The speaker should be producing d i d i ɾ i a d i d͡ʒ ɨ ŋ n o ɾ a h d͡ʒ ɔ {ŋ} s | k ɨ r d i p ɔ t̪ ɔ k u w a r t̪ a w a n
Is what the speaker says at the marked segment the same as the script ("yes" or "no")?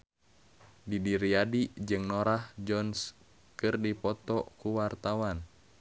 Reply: no